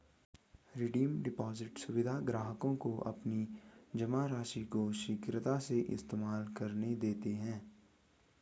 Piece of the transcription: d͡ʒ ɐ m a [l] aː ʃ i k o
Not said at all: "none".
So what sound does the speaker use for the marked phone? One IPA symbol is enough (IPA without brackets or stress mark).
ɾ